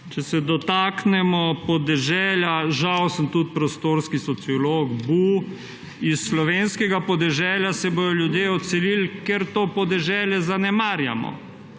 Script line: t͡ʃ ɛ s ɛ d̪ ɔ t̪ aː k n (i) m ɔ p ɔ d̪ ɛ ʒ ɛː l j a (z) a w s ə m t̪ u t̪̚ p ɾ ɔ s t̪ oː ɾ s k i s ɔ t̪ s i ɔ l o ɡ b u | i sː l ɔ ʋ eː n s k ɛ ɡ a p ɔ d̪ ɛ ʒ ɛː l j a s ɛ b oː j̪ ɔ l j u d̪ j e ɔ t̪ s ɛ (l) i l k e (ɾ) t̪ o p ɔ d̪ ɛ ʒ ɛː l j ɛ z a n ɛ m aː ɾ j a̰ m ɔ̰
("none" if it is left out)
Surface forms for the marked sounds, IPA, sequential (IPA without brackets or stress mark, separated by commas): ɛ, ʒ, l, ɾ